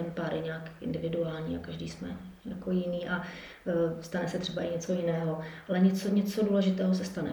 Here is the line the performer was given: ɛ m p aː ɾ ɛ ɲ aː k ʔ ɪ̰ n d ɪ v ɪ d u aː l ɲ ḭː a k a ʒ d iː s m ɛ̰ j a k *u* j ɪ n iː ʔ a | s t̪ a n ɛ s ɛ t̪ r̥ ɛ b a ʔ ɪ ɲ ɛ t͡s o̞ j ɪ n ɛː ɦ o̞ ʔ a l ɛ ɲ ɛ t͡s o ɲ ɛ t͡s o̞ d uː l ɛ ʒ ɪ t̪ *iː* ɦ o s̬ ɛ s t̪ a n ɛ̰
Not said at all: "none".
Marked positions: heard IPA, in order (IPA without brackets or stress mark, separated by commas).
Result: o, ɛː